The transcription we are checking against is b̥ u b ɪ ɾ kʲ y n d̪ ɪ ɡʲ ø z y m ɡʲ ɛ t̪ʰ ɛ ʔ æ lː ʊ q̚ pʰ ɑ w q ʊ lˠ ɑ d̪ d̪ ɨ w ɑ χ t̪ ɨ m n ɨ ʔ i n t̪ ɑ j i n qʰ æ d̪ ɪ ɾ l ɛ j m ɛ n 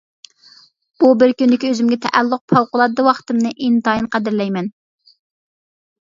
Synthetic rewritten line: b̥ u b ɪ ɾ kʲ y n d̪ ɪ kʲ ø z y m ɡʲ ɛ t̪ʰ ɛ ʔ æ lː ʊ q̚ pʰ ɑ w q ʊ lˠ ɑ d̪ d̪ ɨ w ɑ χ t̪ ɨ m n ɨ ʔ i n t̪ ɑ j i n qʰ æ d̪ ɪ ɾ l ɛ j m ɛ n